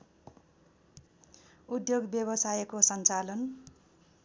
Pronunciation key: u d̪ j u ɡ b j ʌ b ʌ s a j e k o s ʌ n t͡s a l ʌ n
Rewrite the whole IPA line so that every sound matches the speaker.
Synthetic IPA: u d̪ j o ɡ b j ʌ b ʌ s a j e k o s ʌ n t͡s a l ʌ n